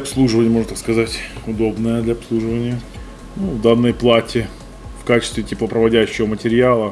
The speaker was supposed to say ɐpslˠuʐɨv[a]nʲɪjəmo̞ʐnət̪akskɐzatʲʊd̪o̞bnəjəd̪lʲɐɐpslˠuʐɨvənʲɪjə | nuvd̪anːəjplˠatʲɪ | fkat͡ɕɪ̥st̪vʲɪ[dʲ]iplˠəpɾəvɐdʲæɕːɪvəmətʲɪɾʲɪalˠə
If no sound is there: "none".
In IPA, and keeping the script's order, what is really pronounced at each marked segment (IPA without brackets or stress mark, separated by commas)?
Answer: ə, tʲ